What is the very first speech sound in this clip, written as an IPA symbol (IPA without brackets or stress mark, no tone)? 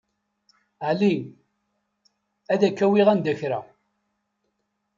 ʕ